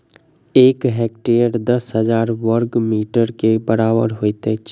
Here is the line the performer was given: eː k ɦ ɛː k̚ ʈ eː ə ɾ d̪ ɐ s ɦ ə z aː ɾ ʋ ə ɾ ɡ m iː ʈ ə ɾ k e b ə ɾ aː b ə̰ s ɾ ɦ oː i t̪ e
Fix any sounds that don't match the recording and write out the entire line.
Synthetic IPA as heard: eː k ɦ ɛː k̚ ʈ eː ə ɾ d̪ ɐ s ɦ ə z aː ɾ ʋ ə ɾ ɡ m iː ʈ ə ɾ k e b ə ɾ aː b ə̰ ɾ ɦ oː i t̪ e